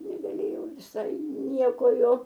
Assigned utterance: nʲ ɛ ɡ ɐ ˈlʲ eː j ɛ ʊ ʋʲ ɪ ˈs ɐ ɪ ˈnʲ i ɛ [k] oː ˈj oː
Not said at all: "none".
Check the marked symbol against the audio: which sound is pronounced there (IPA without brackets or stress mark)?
k